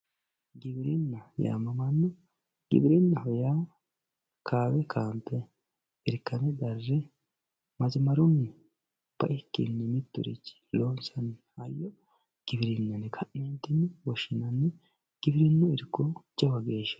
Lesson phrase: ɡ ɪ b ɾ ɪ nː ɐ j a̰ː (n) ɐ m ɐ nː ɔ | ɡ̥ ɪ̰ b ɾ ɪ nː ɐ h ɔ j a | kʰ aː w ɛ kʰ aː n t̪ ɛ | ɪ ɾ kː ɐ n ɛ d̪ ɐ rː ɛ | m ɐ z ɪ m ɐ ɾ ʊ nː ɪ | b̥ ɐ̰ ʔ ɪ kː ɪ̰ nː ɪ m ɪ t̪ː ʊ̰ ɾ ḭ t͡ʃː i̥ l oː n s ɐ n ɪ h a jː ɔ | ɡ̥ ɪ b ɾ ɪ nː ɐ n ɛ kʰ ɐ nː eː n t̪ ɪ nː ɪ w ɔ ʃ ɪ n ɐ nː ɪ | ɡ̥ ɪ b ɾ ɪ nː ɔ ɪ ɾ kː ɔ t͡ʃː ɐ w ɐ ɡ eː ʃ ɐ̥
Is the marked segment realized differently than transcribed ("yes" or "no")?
yes